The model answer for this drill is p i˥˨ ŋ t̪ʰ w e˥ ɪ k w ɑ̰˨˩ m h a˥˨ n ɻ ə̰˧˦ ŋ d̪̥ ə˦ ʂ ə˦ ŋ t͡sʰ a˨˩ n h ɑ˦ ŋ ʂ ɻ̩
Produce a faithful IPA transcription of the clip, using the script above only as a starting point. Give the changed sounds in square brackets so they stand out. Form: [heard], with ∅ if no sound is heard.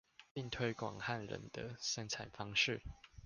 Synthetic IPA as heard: p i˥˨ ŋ t̪ʰ w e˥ ɪ k w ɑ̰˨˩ [ŋ] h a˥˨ n ɻ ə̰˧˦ [n] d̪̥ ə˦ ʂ ə˦ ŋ t͡sʰ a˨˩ n [f] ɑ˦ ŋ ʂ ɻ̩

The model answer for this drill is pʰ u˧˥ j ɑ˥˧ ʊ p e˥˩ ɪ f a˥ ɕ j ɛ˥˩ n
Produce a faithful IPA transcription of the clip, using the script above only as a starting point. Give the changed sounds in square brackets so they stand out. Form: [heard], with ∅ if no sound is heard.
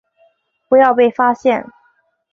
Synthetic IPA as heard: [p] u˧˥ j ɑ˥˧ ʊ p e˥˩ ɪ f a˥ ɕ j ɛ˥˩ n

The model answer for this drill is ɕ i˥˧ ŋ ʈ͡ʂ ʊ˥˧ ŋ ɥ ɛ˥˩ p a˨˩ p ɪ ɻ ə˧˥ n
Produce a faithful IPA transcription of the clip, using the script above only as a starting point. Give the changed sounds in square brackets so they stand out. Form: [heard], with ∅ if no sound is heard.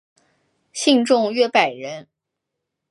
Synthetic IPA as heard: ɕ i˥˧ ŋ ʈ͡ʂ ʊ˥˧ ŋ ɥ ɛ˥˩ p a˨˩ [∅] ɪ ɻ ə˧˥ n

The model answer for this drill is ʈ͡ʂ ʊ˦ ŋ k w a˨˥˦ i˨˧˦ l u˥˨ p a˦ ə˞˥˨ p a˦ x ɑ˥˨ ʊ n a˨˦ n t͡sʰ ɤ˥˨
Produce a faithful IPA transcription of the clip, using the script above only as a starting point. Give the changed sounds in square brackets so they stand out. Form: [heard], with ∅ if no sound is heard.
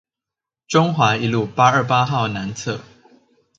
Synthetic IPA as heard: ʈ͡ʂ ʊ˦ ŋ [x] w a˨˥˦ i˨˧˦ l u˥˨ p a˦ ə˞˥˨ p a˦ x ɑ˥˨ ʊ n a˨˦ n t͡sʰ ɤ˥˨

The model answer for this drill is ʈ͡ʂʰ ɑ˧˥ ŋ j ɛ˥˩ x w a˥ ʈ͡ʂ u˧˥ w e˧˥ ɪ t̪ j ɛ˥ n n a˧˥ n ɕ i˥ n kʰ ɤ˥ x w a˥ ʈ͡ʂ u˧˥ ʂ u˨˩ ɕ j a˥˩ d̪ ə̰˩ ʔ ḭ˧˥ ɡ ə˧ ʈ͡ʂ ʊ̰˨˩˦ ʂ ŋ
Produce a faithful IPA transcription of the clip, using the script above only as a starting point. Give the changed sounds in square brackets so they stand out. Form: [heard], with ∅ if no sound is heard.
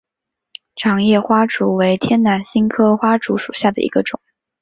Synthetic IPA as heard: ʈ͡ʂʰ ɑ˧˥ ŋ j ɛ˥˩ x w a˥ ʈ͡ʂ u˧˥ w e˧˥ ɪ [t̪ʰ] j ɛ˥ n n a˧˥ n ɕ i˥ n kʰ ɤ˥ x w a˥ ʈ͡ʂ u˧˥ ʂ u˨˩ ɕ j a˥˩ d̪ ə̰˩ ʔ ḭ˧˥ ɡ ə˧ ʈ͡ʂ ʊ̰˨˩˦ [∅] ŋ

